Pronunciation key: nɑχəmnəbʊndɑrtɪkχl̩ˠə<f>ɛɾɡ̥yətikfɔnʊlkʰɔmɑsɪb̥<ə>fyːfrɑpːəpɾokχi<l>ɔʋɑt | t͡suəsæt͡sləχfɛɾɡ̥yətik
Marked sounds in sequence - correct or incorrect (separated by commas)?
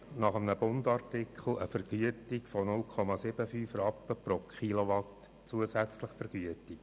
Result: correct, correct, correct